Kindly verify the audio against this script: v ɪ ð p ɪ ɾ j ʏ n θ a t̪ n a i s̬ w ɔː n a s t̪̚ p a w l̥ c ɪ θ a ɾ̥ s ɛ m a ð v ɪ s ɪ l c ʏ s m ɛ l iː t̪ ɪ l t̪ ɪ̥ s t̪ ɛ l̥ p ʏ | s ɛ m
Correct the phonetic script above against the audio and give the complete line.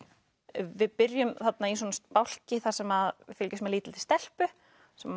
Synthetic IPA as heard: v ɪ ð p ɪ ɾ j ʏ m θ a t̪ n a i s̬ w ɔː n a s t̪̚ p a w l̥ c ɪ θ a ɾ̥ s ɛ m a ð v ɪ f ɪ l c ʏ s m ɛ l iː t̪ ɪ l t̪ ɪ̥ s t̪ ɛ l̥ p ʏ | s ɛ m